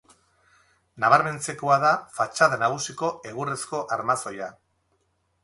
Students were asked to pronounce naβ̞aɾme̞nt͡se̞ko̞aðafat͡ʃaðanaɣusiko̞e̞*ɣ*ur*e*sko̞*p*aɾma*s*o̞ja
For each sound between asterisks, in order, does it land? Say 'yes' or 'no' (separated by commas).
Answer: yes, yes, no, yes